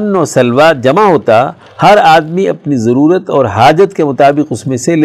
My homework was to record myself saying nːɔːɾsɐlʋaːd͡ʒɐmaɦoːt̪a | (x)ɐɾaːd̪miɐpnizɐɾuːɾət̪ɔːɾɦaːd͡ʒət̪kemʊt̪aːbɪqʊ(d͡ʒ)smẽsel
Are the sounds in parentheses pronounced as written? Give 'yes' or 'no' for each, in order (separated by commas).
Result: no, no